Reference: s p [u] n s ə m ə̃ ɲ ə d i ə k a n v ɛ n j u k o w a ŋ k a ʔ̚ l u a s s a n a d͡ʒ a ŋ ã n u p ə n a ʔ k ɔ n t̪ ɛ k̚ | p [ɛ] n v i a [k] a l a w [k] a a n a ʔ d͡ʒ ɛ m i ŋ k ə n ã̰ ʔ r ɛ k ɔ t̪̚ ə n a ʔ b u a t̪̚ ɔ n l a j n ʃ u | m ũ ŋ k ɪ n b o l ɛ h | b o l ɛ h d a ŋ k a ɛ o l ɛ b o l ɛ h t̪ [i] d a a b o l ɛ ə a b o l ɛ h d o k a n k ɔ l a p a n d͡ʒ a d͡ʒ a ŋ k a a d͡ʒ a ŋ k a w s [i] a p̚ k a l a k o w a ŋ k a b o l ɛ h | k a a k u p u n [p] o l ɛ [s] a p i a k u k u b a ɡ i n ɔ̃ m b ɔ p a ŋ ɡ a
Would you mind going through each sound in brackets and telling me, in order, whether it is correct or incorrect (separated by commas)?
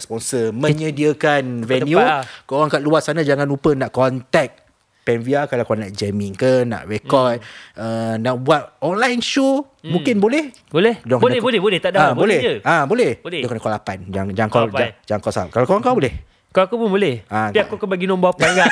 incorrect, correct, correct, correct, incorrect, incorrect, incorrect, incorrect